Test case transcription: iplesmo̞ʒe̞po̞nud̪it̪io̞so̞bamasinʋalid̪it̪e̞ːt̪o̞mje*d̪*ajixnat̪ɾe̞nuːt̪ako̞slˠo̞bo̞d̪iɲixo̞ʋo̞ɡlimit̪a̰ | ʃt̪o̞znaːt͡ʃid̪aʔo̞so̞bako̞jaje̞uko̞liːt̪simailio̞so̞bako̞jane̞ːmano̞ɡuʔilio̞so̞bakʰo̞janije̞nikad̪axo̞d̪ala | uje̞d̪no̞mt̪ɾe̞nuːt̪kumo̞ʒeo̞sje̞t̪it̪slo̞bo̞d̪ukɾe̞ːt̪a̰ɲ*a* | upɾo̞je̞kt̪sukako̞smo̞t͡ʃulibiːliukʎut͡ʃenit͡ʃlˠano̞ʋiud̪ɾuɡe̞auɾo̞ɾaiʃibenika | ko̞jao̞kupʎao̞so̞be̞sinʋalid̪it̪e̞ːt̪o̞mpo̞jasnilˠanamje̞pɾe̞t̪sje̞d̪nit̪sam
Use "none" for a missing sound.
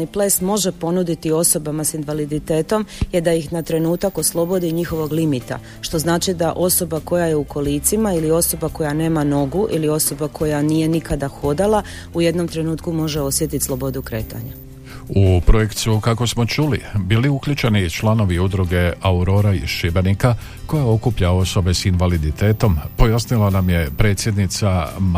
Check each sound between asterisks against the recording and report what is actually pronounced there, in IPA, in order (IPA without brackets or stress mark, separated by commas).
d̪, a